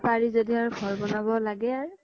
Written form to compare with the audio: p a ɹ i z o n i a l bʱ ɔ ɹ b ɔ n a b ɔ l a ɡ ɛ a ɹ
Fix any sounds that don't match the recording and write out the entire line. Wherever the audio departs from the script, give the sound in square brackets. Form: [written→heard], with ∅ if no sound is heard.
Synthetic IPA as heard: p a ɹ i z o [n→d] i a [l→ɹ] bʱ ɔ ɹ b ɔ n a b ɔ l a ɡ ɛ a ɹ